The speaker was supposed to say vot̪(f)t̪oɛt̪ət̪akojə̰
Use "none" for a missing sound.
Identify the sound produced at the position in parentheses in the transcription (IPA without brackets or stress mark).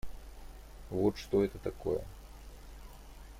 ʂ